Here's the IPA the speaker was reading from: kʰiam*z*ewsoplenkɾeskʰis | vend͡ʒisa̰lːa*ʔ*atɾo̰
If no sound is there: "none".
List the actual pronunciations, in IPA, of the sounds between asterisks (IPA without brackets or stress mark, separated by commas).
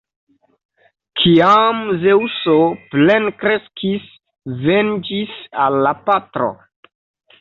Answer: z, p